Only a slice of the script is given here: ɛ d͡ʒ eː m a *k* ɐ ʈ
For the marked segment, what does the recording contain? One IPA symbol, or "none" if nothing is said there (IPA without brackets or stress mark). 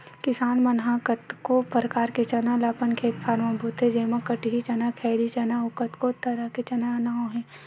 k